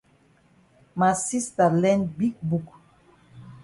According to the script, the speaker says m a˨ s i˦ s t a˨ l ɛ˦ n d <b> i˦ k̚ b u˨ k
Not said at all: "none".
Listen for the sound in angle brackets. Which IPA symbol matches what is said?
b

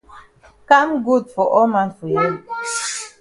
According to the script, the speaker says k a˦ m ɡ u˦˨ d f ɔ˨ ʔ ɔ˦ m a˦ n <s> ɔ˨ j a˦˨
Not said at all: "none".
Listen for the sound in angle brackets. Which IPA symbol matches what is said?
f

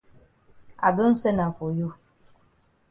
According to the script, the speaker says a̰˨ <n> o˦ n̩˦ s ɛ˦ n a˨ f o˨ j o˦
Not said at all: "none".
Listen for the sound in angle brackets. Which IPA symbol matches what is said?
d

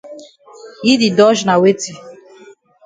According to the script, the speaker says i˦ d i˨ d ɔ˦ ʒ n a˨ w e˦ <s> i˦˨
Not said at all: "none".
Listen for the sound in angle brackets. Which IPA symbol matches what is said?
t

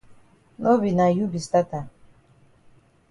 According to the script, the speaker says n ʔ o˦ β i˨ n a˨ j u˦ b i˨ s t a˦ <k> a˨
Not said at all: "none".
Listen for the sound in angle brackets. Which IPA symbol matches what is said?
t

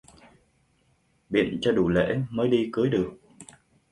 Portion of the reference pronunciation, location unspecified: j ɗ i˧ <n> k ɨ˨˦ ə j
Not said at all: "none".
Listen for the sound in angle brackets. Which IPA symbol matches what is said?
none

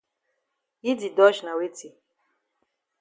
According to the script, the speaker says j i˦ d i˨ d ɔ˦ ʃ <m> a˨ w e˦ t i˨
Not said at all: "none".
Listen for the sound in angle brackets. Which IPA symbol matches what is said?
n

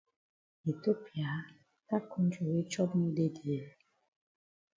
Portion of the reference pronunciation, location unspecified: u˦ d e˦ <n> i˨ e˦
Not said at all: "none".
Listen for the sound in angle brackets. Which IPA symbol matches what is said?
d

